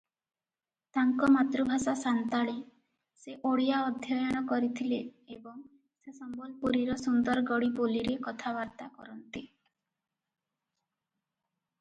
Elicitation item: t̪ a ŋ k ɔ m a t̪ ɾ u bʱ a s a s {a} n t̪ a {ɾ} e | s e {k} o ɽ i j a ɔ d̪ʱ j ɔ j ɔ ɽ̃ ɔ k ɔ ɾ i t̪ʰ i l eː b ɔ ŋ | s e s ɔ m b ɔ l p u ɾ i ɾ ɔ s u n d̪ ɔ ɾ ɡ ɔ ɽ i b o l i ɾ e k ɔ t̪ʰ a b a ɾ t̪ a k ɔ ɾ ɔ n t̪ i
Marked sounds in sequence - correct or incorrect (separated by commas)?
correct, incorrect, incorrect